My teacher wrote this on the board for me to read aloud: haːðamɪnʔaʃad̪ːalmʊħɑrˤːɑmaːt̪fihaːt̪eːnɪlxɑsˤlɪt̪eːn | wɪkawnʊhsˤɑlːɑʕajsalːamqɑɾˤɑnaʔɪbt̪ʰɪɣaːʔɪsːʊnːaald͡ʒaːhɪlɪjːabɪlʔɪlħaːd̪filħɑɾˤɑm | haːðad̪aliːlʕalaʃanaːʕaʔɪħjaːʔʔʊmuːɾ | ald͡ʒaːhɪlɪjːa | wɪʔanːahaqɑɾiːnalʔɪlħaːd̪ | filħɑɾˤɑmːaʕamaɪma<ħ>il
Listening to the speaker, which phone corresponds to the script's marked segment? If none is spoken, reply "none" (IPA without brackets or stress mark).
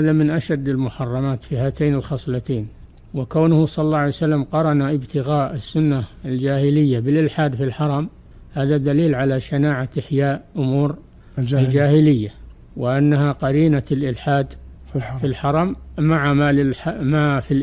f